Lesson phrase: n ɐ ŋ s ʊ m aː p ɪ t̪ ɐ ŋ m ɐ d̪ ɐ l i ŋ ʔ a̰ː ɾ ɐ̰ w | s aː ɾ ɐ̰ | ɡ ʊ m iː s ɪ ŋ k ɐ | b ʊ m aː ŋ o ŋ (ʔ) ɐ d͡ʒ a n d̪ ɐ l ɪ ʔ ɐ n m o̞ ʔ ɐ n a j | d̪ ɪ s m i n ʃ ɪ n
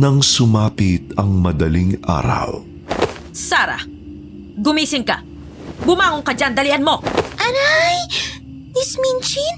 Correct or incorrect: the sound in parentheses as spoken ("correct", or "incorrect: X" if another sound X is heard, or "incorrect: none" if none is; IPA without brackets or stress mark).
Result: incorrect: k